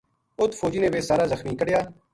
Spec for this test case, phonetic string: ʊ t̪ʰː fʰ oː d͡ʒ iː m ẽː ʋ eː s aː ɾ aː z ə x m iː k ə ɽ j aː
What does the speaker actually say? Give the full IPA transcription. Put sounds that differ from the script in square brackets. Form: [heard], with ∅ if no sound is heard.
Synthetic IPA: ʊ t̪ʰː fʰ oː d͡ʒ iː [n] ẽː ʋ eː s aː ɾ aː z ə x m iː k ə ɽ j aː